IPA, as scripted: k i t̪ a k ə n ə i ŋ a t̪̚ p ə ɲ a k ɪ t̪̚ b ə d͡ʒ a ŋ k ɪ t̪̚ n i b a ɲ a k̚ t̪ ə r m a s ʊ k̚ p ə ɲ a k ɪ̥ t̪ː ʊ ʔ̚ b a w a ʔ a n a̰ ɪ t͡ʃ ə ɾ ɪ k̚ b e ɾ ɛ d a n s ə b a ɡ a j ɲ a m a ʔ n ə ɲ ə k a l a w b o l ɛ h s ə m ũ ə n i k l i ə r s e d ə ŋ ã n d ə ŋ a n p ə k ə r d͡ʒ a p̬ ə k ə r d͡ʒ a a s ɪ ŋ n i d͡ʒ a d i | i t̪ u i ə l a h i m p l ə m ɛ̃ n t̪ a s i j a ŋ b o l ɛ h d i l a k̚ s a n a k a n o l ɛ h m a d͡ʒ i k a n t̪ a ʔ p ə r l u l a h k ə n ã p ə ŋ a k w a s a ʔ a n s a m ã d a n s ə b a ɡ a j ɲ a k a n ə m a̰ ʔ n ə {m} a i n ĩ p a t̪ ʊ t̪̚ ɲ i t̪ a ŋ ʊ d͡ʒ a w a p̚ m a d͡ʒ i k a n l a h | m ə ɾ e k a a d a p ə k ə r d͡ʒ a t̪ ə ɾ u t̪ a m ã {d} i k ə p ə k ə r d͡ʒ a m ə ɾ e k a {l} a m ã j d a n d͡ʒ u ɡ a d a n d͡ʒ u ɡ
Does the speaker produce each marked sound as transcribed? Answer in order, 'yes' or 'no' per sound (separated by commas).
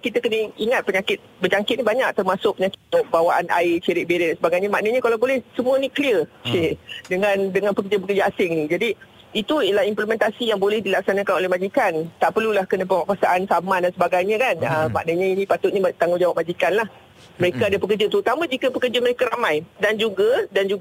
no, no, no